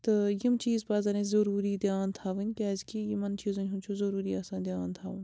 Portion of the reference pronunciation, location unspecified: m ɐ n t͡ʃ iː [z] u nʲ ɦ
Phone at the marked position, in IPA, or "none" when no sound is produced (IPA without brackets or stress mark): z